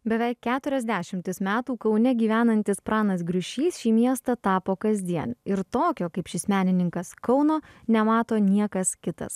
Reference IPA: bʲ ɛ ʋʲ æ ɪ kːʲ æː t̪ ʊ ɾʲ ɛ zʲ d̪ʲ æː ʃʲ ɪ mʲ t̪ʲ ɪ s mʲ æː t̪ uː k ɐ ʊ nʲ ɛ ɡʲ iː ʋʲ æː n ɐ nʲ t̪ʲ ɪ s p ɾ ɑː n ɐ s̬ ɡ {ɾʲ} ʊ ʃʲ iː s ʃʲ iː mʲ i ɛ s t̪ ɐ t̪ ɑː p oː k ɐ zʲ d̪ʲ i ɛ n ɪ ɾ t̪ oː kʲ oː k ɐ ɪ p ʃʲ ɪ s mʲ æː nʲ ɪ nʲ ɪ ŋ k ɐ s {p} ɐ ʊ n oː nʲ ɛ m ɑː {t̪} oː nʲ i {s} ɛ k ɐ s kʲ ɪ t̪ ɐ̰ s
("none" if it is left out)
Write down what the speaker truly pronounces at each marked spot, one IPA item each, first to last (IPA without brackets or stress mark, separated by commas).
ɾʲ, k, t̪, none